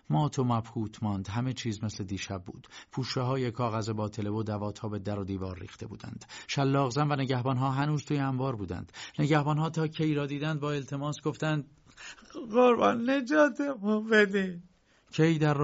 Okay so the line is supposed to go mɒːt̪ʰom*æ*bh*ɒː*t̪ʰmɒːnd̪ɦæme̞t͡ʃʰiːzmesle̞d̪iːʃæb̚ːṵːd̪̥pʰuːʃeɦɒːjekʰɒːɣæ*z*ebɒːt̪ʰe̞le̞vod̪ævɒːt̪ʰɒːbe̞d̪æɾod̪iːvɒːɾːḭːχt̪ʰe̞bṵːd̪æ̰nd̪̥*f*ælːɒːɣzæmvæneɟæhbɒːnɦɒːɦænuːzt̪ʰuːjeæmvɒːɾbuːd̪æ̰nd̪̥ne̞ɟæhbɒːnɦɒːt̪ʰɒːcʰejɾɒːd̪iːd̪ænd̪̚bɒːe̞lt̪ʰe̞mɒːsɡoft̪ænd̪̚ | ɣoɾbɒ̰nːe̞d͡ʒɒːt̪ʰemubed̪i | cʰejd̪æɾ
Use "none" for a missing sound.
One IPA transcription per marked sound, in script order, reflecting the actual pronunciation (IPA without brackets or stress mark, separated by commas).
æ, uː, z, ʃ